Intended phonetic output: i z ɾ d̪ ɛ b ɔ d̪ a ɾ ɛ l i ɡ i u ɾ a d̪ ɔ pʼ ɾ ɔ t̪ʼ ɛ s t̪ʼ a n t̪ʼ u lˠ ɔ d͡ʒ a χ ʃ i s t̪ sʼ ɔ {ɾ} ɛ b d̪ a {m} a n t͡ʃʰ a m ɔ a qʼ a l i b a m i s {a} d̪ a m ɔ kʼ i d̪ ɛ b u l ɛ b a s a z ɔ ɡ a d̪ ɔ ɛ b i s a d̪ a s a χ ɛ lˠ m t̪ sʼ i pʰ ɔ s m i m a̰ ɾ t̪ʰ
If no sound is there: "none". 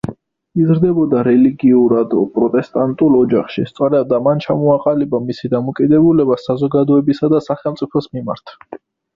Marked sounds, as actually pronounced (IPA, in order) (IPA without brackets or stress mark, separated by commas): ɾ, m, i